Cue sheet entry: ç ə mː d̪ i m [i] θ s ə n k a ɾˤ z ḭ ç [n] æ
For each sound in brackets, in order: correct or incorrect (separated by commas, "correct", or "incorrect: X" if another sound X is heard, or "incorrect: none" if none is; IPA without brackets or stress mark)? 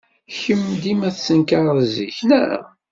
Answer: incorrect: æ, correct